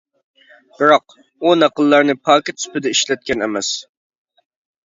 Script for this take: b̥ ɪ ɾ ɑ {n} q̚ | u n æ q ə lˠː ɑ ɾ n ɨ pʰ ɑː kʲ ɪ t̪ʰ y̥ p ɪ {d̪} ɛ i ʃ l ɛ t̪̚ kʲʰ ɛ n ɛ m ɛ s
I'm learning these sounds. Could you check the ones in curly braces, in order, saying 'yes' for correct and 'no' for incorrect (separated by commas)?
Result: no, yes